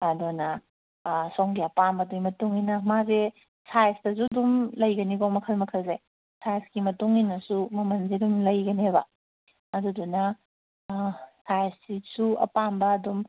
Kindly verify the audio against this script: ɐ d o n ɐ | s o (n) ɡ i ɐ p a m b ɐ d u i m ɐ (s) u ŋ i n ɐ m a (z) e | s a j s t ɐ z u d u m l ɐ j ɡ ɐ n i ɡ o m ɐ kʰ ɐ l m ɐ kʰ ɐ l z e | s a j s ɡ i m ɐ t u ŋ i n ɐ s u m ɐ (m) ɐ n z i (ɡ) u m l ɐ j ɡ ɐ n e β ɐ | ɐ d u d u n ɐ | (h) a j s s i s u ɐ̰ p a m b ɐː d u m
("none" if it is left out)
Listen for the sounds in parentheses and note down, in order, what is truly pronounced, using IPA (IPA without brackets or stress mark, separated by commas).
ŋ, t, z, m, d, s